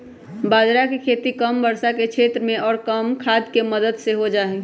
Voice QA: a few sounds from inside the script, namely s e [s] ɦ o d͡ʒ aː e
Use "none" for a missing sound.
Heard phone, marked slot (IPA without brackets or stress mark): none